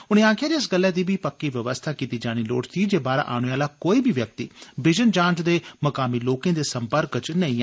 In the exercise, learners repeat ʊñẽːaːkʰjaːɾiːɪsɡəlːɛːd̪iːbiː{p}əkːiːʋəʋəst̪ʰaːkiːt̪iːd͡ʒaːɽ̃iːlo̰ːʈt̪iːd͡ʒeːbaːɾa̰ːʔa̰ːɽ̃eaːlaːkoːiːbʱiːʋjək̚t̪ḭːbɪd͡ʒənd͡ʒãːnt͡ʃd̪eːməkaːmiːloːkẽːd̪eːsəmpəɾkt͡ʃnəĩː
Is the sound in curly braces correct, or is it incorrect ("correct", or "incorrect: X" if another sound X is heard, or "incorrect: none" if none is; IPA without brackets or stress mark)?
correct